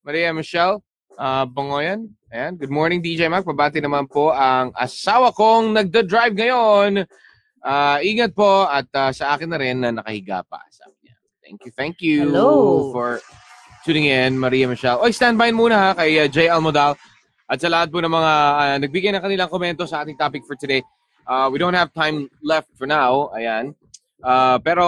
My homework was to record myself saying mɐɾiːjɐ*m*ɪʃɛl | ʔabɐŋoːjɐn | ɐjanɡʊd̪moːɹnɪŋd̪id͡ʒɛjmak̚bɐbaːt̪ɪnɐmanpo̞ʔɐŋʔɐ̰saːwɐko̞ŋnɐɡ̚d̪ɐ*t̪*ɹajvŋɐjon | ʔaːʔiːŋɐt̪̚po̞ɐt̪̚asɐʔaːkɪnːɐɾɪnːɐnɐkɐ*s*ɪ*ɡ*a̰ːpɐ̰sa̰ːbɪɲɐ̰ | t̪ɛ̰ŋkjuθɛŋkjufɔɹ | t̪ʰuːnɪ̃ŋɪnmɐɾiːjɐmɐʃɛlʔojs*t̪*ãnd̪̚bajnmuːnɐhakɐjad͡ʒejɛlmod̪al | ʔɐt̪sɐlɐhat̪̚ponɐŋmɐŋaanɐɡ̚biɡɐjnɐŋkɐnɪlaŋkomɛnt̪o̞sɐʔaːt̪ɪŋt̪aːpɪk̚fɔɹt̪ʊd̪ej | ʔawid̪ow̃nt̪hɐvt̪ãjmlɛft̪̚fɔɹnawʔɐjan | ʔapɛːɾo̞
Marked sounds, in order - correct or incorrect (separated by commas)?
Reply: correct, incorrect, incorrect, correct, correct